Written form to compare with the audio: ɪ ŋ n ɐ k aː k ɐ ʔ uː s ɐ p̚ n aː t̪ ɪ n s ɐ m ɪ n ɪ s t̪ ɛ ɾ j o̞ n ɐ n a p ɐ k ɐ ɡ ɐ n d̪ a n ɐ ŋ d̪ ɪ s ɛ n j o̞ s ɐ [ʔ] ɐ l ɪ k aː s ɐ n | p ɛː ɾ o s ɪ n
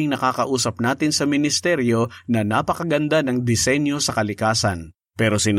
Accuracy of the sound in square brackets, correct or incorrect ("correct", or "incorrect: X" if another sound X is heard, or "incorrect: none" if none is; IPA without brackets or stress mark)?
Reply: incorrect: k